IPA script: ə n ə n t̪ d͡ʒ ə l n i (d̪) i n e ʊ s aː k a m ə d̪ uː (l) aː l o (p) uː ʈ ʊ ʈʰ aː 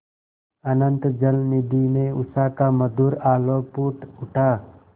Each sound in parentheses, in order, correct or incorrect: correct, incorrect: ɾ, correct

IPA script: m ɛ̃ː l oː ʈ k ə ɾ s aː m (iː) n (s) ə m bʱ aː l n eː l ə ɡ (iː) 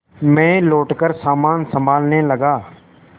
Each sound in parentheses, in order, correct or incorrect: incorrect: aː, correct, incorrect: aː

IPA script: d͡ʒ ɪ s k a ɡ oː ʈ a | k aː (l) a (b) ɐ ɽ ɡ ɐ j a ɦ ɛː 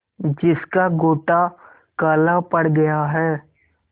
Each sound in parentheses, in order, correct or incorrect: correct, incorrect: p

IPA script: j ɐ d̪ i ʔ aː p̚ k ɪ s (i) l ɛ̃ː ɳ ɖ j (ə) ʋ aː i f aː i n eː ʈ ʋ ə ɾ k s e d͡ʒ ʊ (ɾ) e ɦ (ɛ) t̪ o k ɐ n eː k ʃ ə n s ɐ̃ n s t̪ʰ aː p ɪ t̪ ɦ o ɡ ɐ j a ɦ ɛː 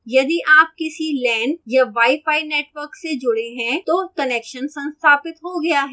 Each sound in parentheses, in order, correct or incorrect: correct, incorrect: a, incorrect: ɽ, incorrect: ɛ̃

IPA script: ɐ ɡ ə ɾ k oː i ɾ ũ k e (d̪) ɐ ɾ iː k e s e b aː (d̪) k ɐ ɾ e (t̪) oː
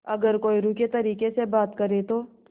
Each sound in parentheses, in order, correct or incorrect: incorrect: t̪, incorrect: t̪, correct

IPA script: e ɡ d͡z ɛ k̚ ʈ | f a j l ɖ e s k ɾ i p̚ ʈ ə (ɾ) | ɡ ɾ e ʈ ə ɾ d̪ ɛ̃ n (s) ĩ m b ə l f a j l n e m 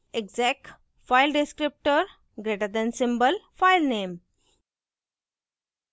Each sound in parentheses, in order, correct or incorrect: correct, correct

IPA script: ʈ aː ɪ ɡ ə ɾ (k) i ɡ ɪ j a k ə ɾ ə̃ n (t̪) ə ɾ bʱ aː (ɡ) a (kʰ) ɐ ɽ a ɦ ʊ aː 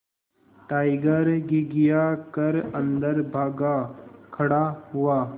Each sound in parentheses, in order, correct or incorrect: incorrect: ɡ, incorrect: d̪, correct, correct

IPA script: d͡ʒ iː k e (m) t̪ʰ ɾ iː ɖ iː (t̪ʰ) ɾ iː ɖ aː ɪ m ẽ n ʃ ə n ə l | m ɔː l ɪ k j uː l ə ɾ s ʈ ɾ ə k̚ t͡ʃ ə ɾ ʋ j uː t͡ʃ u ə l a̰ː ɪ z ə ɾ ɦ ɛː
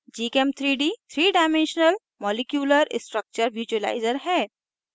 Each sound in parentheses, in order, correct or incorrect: correct, correct

